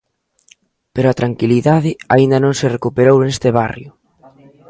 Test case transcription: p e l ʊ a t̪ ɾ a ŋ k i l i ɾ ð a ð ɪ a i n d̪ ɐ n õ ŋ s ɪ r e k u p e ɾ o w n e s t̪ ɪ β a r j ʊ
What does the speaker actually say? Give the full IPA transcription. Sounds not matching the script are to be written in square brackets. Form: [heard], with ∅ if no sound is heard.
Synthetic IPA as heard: p e [ɾ] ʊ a t̪ ɾ a ŋ k i l i [∅] ð a ð ɪ a i n d̪ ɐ n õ ŋ s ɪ r e k u p e ɾ o w n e s t̪ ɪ β a r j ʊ